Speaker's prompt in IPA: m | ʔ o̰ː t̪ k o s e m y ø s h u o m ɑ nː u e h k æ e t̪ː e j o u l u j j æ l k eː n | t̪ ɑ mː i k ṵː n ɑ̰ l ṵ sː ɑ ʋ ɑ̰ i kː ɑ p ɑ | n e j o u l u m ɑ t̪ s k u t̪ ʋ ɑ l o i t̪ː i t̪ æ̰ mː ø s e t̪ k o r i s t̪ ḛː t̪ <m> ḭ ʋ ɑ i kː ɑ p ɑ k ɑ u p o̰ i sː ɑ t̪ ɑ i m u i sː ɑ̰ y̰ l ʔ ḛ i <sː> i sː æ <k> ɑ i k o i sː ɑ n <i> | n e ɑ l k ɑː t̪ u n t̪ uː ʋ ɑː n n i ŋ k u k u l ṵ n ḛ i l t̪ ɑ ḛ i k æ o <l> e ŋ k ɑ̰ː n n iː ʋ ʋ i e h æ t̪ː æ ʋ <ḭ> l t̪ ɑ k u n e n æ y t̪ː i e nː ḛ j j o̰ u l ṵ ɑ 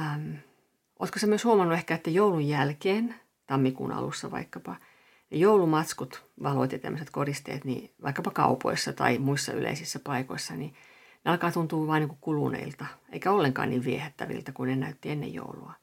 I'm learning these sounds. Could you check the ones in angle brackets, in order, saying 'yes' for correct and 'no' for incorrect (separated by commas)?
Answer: no, no, no, yes, no, yes